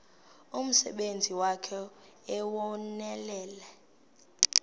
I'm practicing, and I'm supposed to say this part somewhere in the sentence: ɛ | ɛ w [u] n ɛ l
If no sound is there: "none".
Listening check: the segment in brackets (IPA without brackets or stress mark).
ɔ